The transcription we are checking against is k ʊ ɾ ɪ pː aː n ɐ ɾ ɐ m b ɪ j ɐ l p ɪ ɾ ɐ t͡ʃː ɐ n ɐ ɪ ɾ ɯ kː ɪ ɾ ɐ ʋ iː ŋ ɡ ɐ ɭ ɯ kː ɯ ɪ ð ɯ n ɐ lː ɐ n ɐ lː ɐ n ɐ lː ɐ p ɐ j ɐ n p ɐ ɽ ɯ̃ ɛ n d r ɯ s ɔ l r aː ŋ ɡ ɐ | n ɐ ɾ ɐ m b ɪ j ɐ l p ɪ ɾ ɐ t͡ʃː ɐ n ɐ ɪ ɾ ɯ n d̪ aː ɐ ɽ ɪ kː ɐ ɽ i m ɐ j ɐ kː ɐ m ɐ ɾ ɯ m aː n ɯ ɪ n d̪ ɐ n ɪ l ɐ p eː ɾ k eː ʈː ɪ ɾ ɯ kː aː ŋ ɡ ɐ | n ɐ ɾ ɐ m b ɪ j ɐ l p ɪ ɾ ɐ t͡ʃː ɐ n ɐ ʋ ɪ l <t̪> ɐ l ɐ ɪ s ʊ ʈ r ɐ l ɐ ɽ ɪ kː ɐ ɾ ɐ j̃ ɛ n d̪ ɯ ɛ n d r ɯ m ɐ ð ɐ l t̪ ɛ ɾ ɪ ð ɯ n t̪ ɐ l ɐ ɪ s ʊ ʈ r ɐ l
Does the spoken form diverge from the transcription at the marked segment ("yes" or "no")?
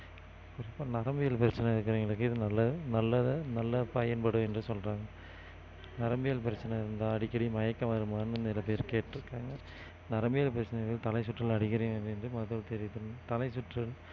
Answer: no